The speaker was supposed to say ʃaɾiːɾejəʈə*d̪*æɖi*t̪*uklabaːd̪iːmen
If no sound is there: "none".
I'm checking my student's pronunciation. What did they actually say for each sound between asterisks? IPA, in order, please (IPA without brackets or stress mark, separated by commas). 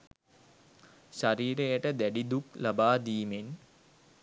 d̪, d̪